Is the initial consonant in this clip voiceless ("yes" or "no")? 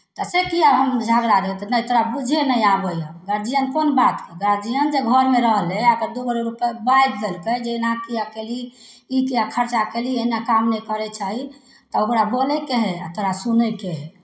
yes